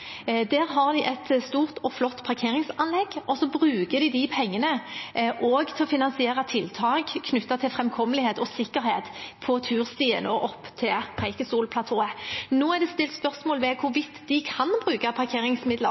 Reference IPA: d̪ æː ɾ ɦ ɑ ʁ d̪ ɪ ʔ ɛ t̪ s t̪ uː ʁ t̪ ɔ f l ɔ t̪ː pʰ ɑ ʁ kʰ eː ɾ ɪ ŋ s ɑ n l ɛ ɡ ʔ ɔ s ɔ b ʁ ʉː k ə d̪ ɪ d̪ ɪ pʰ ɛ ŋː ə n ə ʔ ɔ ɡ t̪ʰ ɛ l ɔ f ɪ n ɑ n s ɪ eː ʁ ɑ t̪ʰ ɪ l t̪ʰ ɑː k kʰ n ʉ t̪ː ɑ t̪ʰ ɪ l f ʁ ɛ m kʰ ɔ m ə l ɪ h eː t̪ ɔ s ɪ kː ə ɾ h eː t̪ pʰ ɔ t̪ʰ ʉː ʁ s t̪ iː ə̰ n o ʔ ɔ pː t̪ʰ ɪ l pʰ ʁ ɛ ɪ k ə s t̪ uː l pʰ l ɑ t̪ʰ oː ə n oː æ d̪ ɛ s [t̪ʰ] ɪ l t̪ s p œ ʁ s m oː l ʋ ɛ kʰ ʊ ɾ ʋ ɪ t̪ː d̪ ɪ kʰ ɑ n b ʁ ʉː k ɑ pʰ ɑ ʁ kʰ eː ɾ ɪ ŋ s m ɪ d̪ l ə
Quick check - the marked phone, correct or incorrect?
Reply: incorrect